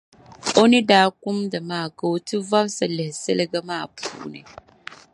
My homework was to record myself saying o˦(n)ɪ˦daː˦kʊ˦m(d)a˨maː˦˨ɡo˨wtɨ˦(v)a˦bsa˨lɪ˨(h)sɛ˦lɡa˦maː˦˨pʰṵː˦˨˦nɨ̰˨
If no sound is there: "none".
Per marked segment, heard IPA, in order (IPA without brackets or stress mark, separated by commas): n, d, v, h